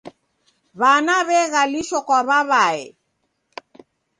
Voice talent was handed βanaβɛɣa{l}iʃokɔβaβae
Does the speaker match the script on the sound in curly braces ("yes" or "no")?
yes